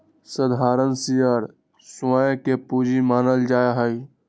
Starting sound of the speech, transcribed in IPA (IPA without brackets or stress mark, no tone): s